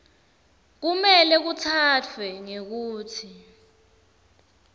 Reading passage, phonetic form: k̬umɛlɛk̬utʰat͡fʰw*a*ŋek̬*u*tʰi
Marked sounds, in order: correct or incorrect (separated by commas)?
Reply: incorrect, incorrect